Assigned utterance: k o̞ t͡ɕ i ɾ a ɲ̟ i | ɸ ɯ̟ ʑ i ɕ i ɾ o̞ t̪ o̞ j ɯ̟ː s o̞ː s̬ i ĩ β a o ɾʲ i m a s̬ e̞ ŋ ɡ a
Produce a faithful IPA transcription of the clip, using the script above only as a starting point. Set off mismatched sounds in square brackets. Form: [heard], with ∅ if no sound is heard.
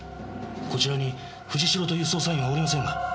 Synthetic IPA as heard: k o̞ t͡ɕ i ɾ a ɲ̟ i | ɸ ɯ̟ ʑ i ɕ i ɾ o̞ t̪ o̞ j ɯ̟ː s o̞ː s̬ [a] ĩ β a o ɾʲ i m a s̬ [ẽ̞] ŋ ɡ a